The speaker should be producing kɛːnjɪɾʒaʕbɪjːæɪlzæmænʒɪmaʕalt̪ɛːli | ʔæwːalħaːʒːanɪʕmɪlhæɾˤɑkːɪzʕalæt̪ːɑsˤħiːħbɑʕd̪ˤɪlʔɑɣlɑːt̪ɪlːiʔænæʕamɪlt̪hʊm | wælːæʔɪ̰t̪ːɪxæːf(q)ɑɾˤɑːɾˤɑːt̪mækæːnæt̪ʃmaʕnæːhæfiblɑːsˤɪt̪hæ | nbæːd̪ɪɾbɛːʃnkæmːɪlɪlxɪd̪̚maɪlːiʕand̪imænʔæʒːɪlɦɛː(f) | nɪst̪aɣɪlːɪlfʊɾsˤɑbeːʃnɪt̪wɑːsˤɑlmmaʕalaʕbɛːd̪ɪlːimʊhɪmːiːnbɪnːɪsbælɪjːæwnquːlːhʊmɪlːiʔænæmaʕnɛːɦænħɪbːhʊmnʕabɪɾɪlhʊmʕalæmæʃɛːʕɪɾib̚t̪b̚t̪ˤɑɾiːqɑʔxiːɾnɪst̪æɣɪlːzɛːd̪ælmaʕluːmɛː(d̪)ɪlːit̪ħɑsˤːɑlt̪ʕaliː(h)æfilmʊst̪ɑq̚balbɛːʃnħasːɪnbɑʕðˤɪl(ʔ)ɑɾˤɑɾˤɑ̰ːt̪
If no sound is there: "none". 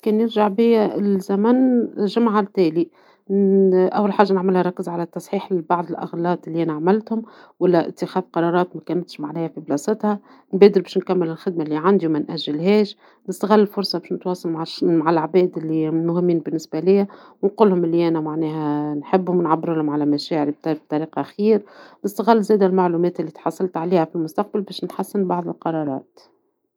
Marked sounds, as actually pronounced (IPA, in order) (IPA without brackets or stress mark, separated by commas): q, ʃ, t̪, h, q